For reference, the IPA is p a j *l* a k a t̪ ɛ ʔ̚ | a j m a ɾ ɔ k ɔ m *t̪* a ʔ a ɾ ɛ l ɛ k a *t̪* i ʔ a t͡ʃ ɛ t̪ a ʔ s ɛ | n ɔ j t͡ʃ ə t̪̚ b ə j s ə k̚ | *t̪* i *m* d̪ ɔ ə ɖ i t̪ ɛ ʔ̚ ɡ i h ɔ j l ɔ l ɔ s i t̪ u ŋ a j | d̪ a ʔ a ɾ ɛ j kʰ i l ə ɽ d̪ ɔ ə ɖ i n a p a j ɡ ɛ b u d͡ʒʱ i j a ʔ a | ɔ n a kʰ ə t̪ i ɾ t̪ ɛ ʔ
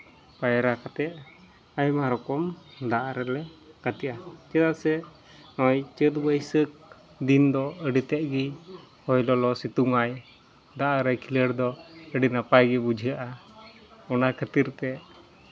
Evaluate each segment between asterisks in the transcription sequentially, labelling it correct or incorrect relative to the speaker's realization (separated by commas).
incorrect, incorrect, correct, incorrect, incorrect